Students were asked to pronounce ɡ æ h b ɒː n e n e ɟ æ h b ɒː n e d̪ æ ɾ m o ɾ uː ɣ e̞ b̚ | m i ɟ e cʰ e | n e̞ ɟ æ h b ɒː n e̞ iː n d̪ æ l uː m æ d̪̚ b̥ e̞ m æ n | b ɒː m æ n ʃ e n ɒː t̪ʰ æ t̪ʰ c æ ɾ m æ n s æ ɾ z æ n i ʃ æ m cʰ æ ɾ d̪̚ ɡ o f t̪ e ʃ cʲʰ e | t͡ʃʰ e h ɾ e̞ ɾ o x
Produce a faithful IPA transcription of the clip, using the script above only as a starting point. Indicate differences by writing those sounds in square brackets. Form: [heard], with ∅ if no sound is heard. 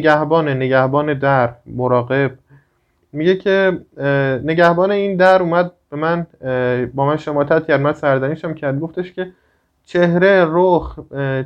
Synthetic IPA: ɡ æ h b ɒː n e n e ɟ æ h b ɒː n e d̪ æ ɾ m o ɾ [ɒː] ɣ e̞ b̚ | m i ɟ e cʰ e | n e̞ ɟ æ h b ɒː n e̞ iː n d̪ æ [ɾ] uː m æ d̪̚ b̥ e̞ m æ n | b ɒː m æ n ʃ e [m] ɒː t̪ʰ æ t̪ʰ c æ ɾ m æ n s æ ɾ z æ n i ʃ æ m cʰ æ ɾ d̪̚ ɡ o f t̪ e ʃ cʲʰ e | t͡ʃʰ e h ɾ e̞ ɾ o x